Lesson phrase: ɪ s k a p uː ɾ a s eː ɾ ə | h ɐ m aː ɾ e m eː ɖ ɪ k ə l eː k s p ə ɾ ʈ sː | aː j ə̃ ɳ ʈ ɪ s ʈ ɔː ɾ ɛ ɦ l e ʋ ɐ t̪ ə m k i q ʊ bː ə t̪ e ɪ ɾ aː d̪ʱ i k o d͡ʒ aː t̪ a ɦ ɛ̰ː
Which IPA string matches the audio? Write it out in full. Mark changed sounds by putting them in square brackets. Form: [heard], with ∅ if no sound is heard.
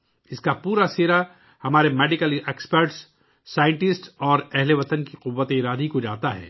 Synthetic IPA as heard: ɪ s k a p uː ɾ a s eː ɾ [a] | h ɐ m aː ɾ e m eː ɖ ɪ k ə l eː k s p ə ɾ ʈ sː | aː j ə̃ ɳ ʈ ɪ s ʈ ɔː ɾ ɛ ɦ l e ʋ ɐ t̪ ə [n] k i q ʊ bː ə t̪ e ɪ ɾ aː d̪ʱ i k o d͡ʒ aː t̪ a ɦ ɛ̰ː